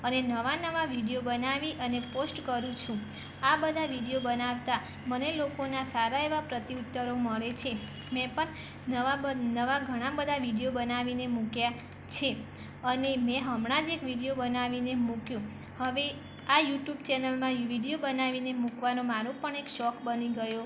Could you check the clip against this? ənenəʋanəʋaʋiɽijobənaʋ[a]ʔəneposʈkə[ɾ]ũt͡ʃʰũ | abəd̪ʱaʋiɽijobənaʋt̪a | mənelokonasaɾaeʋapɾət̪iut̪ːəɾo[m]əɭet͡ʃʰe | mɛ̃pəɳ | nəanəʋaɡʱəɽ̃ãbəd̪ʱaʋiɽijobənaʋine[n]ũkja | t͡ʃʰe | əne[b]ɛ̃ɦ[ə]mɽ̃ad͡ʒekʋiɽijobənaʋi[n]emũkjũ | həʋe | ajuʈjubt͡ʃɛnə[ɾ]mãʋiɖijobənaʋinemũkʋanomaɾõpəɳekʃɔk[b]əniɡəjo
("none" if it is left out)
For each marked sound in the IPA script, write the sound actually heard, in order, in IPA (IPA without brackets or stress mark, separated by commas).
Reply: i, ɾ, m, m, m, ə, n, l, b